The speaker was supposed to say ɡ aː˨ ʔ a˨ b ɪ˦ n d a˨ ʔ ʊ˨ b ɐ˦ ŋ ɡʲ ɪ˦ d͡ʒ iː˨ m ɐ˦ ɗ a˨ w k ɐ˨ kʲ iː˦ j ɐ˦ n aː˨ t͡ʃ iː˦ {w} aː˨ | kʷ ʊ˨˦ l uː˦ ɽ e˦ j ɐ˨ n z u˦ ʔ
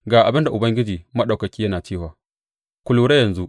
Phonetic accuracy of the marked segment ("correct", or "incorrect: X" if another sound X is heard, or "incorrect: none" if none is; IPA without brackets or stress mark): correct